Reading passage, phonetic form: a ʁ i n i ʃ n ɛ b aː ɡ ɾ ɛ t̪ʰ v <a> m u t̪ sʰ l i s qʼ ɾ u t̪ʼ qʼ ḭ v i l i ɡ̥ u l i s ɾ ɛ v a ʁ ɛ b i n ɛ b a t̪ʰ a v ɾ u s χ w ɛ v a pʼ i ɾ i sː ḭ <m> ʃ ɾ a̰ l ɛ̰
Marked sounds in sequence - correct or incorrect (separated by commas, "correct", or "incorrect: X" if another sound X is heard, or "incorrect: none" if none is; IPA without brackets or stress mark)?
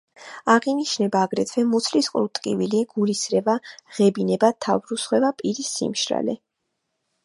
incorrect: ɛ, correct